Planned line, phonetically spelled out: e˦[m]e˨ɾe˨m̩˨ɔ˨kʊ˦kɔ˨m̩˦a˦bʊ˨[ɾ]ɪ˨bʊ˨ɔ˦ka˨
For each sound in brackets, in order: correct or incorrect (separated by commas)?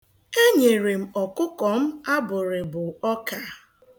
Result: incorrect, correct